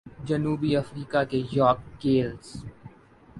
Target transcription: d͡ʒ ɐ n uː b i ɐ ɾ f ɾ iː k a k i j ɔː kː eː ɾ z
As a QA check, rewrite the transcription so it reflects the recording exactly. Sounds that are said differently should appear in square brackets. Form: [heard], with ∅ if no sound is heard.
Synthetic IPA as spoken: d͡ʒ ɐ n uː b i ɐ [∅] f ɾ iː k a k [e] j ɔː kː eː [l] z